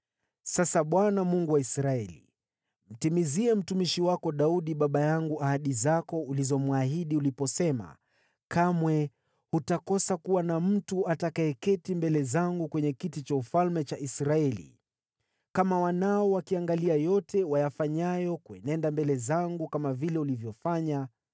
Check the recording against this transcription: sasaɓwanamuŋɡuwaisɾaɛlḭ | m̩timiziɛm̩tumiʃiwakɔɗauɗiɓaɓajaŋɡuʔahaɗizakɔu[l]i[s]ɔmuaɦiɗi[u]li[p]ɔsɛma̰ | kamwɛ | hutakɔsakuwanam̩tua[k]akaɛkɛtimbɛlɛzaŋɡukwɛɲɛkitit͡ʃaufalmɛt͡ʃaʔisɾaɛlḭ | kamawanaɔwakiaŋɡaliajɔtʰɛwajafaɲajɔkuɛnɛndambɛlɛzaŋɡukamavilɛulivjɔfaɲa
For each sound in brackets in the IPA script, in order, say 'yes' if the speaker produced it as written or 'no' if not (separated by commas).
yes, no, yes, yes, no